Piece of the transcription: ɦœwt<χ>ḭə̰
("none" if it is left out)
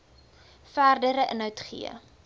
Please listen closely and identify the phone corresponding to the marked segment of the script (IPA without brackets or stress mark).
χ